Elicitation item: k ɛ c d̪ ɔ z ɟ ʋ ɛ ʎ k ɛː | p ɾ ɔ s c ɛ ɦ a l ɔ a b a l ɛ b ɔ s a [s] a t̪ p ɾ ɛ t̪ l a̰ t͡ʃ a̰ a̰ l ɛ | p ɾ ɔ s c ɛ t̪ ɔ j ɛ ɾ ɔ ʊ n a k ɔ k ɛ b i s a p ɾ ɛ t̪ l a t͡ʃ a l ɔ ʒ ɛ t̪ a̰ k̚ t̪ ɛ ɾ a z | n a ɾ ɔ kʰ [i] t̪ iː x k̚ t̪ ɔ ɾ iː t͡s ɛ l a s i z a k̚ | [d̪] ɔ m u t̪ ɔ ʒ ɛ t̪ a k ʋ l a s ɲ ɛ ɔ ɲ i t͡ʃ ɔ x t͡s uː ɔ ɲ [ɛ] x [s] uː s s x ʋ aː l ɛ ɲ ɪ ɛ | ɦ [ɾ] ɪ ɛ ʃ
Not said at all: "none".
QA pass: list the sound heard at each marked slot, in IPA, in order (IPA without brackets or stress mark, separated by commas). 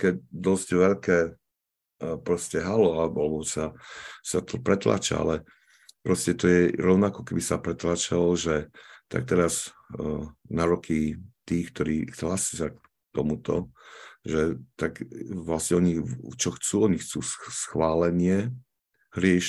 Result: s, i, t̪, i, t͡s, ɾ